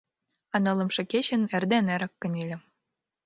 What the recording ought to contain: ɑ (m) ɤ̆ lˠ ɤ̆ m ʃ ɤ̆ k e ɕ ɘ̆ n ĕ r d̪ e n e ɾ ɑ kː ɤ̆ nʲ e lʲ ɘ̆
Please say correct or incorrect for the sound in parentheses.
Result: incorrect